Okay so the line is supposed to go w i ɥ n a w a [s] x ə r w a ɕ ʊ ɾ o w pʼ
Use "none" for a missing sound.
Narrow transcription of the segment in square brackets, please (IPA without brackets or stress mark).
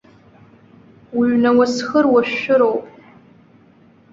s